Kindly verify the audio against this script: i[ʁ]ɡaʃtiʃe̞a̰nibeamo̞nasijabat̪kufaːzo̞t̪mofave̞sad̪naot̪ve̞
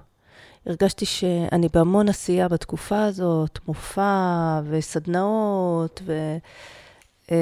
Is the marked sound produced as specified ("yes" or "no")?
yes